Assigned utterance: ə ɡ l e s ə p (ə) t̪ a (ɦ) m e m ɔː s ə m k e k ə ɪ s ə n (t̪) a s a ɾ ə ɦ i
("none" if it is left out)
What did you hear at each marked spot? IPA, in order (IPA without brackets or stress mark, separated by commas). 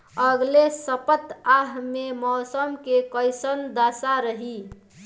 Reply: ə, ɦ, d̪